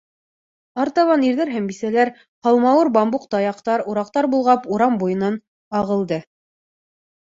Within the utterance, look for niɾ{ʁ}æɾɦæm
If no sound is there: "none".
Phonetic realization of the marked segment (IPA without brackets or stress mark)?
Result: ð